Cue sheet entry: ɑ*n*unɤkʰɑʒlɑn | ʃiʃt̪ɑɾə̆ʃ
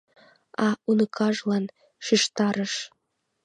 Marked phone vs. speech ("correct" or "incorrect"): incorrect